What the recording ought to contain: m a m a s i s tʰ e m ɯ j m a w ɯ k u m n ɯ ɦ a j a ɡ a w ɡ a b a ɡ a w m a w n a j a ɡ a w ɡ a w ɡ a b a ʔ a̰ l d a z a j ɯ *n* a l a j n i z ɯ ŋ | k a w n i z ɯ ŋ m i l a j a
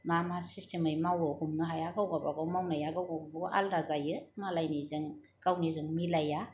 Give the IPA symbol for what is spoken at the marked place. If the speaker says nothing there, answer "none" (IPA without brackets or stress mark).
m